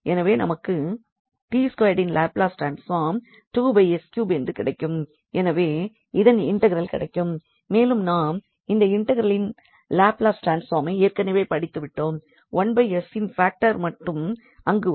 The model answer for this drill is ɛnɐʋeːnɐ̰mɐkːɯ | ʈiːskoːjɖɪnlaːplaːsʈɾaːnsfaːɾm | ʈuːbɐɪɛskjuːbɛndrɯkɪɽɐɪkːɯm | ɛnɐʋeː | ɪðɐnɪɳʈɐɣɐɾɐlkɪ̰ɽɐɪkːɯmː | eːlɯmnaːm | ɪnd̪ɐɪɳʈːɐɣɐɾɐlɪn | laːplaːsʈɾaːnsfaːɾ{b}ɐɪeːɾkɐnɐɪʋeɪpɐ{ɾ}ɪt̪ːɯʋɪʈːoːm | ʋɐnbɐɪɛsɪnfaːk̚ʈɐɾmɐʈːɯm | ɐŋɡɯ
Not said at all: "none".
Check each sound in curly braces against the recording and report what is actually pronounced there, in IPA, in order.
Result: m, ɽ

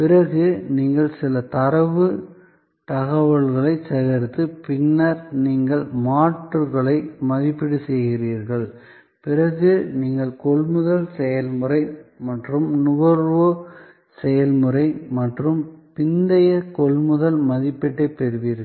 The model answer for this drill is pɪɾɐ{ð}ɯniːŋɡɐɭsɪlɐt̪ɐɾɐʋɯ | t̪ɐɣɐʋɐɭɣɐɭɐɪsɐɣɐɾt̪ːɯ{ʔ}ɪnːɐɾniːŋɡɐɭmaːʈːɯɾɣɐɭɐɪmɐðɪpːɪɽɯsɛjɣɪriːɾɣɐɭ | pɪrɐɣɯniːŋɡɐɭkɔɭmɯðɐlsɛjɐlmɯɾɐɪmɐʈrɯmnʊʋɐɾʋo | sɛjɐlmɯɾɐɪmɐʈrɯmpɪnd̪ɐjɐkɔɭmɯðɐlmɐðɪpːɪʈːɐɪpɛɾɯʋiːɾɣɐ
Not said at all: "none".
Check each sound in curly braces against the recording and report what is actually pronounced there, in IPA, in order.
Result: ɣ, p

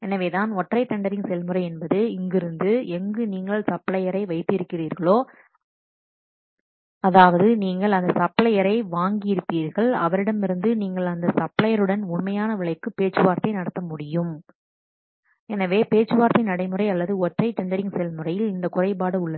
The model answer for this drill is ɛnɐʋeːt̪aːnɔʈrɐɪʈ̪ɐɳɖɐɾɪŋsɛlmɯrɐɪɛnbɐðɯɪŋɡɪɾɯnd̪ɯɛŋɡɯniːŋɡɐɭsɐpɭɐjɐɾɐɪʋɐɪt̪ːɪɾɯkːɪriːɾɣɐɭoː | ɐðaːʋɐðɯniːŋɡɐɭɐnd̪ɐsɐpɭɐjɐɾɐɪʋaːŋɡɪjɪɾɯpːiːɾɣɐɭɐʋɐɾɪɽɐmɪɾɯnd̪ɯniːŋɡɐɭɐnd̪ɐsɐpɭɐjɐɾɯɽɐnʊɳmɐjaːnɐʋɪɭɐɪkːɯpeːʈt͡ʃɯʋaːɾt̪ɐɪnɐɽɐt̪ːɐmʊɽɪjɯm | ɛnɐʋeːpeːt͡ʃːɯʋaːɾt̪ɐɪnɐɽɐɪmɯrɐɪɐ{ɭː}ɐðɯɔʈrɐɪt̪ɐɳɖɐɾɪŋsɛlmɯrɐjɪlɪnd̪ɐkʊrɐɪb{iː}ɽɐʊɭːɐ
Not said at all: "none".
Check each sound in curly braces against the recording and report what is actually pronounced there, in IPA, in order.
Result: lː, aː

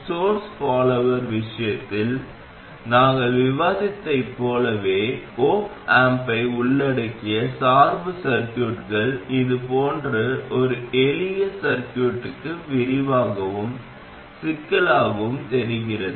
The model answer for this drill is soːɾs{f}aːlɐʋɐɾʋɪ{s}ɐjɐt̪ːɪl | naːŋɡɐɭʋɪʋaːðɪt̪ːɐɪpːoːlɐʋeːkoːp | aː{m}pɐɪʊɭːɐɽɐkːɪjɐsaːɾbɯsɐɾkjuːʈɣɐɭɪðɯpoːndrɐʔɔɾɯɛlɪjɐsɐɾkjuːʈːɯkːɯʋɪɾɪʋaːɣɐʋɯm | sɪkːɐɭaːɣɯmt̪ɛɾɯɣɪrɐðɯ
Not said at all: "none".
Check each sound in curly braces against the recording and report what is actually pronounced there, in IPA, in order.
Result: f, ʂ, m

